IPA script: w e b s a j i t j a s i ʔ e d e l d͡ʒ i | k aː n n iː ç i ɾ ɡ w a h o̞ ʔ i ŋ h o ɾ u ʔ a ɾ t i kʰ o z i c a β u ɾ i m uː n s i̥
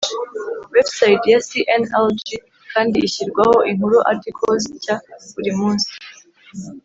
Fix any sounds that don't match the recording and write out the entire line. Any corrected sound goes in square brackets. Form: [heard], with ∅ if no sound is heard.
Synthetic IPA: w e b s a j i t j a s i ʔ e [n] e l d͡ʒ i | k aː n [d] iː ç i ɾ ɡ w a h o̞ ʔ i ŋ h [u] ɾ u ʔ a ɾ t i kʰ o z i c a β u ɾ i m uː n s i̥